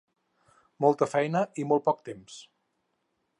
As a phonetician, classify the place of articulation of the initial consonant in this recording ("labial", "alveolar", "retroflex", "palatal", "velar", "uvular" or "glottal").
labial